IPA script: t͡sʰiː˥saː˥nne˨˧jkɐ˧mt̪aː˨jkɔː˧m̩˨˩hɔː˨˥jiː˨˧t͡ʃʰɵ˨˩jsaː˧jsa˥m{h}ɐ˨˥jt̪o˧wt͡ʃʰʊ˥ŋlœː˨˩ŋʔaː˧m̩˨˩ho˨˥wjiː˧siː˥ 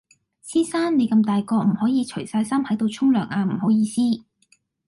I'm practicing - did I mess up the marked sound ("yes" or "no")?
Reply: no